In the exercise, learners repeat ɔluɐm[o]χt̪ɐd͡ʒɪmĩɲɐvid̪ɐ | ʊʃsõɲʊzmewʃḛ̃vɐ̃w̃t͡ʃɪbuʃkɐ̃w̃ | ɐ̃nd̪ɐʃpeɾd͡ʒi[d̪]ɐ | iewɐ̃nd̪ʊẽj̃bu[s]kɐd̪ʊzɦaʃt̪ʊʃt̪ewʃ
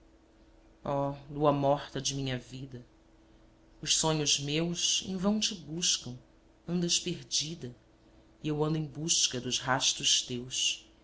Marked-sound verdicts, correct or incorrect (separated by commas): incorrect, correct, incorrect